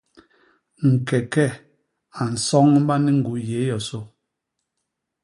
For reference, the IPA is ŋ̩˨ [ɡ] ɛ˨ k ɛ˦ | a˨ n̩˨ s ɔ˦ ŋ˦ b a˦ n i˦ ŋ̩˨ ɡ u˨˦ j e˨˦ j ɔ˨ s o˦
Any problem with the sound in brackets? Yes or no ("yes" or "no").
yes